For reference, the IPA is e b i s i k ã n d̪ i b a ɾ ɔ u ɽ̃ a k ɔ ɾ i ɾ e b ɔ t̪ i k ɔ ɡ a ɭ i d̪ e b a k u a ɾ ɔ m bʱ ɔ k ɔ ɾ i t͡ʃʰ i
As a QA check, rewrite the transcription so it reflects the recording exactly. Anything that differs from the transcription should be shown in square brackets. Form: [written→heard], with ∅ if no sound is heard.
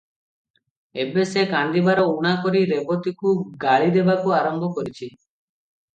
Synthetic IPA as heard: e b [i→e] s [i→e] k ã n d̪ i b a ɾ ɔ u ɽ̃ a k ɔ ɾ i ɾ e b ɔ t̪ i k [ɔ→u] ɡ a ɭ i d̪ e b a k u a ɾ ɔ m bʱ ɔ k ɔ ɾ i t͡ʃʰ i